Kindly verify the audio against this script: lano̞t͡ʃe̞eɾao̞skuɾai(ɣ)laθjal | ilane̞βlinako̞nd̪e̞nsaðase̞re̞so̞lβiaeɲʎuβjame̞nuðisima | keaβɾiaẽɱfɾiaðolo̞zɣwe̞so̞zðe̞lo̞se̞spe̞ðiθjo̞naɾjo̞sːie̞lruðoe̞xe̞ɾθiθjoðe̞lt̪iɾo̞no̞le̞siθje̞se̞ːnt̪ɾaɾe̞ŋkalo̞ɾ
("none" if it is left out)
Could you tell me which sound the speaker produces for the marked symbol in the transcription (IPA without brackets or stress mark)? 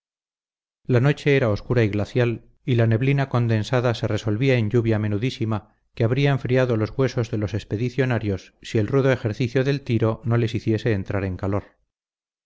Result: ɣ